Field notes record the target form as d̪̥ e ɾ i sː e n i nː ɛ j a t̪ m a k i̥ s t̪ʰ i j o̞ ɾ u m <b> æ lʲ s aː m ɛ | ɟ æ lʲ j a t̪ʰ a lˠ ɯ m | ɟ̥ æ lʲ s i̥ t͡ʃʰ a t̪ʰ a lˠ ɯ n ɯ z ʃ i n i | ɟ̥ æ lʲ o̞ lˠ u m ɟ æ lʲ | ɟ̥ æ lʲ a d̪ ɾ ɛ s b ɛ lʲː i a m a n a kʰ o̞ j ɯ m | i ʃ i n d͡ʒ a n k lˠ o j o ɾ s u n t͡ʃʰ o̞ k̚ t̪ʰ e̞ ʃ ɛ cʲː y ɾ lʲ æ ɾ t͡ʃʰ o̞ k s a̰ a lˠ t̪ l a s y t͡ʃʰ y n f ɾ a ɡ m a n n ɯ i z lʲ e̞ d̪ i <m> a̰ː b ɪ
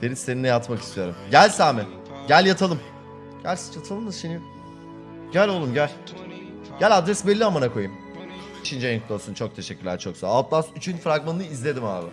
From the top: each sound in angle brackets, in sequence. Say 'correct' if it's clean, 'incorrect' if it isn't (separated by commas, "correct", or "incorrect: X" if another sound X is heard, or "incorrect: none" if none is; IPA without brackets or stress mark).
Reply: incorrect: ɟ, correct